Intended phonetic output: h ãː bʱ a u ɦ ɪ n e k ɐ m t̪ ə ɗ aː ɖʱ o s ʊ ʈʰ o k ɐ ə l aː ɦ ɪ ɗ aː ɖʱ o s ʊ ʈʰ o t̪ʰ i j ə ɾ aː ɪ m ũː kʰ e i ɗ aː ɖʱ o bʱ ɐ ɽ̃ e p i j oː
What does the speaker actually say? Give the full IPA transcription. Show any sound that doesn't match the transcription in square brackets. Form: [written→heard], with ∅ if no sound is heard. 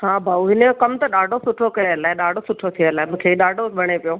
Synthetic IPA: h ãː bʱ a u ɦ ɪ n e k ɐ m t̪ [ə→ɐ] ɗ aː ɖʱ o s ʊ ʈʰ o k ɐ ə l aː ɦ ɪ ɗ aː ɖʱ o s ʊ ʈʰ o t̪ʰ i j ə [ɾ→l] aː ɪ m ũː kʰ e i ɗ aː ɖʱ o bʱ ɐ ɽ̃ e p i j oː